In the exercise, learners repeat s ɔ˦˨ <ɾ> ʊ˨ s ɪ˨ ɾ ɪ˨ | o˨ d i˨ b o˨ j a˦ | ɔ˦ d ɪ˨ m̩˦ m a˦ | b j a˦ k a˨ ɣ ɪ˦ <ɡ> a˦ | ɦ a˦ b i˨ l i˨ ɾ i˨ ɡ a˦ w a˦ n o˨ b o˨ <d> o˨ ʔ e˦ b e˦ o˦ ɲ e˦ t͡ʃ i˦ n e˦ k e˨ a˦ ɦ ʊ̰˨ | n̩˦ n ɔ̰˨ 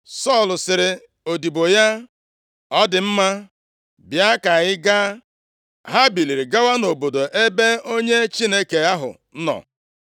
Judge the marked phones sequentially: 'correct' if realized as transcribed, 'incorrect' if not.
incorrect, correct, correct

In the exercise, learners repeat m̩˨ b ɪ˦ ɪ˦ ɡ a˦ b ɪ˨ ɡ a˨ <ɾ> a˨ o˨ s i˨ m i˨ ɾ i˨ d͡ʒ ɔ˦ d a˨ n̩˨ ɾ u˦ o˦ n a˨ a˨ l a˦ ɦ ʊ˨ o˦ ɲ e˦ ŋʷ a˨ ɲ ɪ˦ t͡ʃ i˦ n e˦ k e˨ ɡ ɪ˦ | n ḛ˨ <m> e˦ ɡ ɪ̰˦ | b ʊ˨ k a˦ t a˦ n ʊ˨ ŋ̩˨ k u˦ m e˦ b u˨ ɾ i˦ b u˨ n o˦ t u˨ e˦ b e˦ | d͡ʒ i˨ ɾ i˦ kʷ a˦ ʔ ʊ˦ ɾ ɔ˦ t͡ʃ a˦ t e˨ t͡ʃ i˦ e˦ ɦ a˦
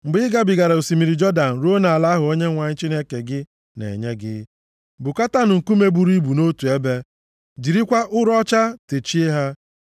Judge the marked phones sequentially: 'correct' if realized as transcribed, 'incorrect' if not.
correct, incorrect

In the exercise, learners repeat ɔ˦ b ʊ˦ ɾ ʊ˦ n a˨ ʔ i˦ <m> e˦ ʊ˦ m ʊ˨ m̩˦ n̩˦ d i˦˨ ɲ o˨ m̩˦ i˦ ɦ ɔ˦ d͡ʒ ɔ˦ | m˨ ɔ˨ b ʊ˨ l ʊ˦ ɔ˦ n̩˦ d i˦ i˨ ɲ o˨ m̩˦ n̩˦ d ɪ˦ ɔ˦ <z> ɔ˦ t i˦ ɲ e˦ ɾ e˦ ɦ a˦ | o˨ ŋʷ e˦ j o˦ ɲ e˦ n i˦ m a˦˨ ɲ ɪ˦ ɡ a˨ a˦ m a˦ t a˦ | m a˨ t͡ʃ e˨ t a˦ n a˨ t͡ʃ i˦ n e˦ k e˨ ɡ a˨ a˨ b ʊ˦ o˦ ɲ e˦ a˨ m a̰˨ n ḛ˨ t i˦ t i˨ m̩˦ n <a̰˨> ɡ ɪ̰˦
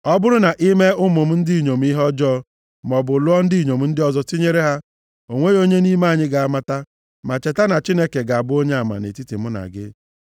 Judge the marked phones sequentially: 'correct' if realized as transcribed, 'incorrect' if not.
correct, correct, correct

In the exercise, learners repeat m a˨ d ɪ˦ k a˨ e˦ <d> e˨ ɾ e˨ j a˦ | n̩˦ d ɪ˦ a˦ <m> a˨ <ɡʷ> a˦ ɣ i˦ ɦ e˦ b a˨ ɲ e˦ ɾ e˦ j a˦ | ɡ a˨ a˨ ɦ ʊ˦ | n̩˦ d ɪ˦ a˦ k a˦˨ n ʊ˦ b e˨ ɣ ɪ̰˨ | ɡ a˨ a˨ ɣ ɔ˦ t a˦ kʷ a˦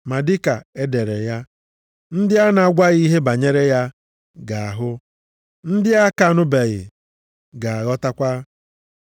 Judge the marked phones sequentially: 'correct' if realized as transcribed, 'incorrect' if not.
correct, incorrect, correct

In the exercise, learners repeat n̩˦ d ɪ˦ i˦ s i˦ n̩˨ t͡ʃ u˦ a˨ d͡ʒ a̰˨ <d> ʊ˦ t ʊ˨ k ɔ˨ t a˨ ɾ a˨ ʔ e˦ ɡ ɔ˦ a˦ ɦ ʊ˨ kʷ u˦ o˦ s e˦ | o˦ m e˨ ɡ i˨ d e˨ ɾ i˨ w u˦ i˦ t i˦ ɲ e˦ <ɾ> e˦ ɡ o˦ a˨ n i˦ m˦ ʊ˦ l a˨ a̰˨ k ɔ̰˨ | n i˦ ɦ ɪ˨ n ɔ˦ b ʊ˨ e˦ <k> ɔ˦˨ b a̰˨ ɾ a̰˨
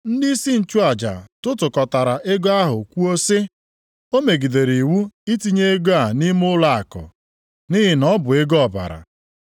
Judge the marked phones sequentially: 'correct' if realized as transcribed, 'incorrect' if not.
incorrect, incorrect, incorrect

